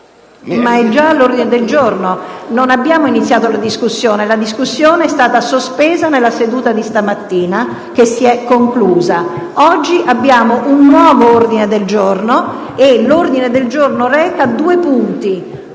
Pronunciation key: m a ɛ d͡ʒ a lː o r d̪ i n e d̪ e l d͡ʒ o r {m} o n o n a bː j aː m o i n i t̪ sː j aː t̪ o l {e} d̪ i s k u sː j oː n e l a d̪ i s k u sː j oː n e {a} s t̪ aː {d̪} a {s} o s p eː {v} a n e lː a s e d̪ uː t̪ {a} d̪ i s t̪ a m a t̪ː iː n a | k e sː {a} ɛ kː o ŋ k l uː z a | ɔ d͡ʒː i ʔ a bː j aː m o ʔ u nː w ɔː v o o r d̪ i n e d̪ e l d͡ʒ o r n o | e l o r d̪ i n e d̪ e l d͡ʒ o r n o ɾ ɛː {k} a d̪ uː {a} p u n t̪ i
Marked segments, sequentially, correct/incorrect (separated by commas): incorrect, incorrect, incorrect, incorrect, correct, incorrect, correct, incorrect, correct, incorrect